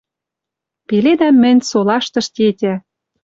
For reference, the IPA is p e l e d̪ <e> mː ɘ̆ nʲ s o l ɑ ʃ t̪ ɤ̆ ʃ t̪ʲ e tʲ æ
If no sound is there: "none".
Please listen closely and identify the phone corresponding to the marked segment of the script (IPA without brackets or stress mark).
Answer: æ